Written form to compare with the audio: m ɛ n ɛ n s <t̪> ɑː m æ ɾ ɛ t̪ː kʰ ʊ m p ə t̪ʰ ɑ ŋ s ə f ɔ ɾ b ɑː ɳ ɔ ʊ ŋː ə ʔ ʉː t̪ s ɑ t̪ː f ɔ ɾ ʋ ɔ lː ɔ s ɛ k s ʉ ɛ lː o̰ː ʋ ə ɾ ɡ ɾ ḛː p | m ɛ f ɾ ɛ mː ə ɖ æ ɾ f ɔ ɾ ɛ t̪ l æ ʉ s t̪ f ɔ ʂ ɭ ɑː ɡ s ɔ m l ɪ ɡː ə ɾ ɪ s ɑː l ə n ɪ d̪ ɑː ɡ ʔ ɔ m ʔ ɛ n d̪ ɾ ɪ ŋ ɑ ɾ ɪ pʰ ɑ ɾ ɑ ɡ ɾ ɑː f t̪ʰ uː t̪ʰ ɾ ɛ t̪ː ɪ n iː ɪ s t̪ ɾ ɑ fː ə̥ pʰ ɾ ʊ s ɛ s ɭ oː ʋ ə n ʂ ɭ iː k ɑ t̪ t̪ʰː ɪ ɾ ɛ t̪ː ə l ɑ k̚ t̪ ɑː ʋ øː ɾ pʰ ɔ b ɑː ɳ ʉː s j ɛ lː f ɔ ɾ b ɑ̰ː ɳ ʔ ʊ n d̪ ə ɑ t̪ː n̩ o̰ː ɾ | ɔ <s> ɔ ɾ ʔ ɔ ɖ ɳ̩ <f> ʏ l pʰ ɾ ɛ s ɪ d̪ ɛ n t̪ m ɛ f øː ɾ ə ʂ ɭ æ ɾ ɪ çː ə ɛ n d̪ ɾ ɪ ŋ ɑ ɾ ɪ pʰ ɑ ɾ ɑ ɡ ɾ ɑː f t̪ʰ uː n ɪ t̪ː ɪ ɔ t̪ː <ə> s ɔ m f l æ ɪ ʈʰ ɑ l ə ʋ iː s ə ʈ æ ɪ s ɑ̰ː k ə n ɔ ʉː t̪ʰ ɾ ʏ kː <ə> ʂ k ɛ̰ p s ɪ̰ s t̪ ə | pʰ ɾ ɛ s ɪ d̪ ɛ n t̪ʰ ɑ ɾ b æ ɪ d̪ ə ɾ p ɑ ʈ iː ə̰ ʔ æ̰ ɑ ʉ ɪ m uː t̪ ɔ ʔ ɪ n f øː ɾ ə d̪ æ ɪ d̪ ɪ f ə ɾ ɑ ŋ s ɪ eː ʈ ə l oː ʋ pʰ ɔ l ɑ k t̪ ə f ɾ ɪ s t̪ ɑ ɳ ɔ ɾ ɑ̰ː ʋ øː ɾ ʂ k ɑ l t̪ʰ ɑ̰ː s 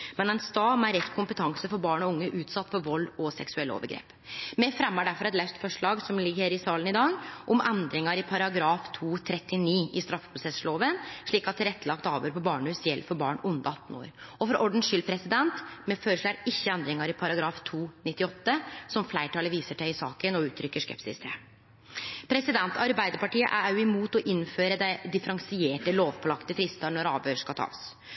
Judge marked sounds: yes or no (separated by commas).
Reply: yes, no, no, yes, yes